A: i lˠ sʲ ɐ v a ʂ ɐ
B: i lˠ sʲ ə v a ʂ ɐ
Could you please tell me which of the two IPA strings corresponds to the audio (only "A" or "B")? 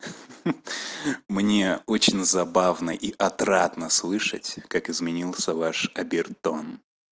B